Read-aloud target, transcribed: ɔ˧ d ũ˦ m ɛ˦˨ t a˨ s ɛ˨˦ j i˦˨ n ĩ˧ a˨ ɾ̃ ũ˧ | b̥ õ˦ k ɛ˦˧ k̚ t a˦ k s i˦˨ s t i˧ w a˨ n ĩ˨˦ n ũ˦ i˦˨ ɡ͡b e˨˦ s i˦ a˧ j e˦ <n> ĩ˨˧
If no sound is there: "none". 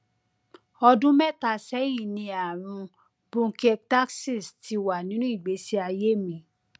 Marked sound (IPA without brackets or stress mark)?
m